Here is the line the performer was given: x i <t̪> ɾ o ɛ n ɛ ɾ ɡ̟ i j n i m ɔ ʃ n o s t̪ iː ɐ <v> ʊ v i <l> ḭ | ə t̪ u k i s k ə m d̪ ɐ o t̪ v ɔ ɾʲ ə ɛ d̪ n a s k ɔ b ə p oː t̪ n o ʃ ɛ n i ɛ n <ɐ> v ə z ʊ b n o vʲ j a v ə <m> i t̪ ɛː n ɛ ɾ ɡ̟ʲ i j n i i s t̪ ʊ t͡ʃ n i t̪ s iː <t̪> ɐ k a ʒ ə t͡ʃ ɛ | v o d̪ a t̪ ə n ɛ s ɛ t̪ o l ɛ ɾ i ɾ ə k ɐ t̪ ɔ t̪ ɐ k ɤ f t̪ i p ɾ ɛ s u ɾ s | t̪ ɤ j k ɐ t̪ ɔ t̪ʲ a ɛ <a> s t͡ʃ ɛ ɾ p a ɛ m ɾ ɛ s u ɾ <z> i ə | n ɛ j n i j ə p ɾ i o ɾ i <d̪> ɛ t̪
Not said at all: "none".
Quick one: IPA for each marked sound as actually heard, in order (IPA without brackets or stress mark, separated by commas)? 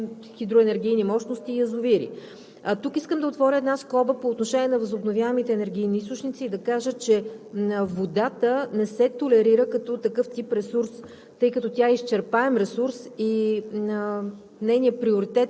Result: d̪, z, ɾ, ɐ, m, d̪, i, s, t̪